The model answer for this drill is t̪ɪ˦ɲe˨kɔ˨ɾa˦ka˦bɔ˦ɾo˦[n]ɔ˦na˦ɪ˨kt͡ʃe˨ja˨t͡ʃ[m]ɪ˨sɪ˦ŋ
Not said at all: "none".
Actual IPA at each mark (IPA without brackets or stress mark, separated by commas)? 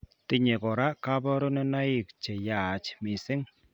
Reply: n, m